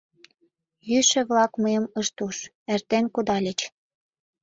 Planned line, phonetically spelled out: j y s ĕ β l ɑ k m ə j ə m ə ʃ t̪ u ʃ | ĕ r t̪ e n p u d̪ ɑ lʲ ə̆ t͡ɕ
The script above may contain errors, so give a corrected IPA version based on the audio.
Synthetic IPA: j y ʃ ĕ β l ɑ k m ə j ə m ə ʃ t̪ u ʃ | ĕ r t̪ e n k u d̪ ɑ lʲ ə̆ t͡ɕ